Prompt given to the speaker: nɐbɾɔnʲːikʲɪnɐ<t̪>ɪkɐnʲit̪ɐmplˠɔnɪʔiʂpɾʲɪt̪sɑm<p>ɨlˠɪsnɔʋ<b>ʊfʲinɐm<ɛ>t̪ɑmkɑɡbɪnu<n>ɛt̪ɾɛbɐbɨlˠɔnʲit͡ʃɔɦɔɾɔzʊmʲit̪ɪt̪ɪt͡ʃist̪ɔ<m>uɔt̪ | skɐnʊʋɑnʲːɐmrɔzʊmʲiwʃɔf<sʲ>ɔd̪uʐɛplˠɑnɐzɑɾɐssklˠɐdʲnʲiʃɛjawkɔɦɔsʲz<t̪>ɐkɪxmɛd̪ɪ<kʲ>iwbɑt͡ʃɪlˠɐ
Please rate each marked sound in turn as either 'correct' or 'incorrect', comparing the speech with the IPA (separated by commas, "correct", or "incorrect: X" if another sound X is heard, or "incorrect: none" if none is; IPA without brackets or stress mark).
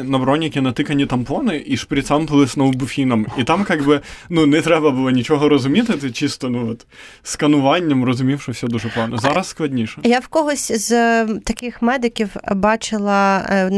correct, correct, correct, incorrect: i, correct, incorrect: n, correct, correct, correct